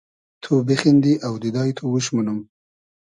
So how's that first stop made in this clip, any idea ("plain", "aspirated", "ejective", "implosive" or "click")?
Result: aspirated